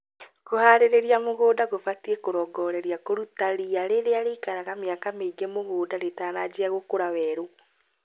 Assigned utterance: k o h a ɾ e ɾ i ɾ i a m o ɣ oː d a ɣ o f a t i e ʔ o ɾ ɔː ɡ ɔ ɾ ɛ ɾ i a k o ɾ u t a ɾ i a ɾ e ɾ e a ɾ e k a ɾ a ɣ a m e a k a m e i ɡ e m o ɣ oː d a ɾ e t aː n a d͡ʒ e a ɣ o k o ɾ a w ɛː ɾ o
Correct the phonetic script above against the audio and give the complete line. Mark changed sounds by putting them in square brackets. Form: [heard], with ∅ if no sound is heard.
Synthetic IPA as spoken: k o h a ɾ e ɾ [e] ɾ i a m o ɣ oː d a ɣ o f a t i e [k] o ɾ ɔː ɡ ɔ ɾ ɛ ɾ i a k o ɾ u t a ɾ i a ɾ e ɾ e a ɾ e k a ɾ a ɣ a m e a k a m e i ɡ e m o ɣ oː d a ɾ e t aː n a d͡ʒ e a ɣ o k o ɾ a w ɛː ɾ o